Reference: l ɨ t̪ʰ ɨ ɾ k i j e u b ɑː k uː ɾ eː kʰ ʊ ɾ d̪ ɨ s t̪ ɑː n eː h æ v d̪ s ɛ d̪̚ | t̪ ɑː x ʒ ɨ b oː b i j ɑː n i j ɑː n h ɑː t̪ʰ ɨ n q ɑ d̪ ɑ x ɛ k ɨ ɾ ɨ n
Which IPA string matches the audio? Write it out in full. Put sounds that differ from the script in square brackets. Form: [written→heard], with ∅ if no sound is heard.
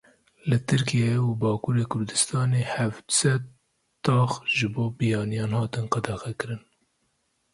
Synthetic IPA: l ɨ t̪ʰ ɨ ɾ k i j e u b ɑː k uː ɾ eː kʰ ʊ ɾ d̪ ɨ s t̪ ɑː n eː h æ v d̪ s ɛ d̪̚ | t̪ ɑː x ʒ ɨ b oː b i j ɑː n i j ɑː n h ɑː [t̪ʰ→t̪] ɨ n q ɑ d̪ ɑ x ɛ k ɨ ɾ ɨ n